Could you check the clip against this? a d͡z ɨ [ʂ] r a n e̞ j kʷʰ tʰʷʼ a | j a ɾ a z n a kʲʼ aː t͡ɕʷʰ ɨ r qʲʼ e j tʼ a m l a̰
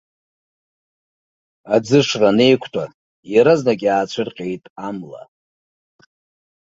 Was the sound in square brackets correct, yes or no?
yes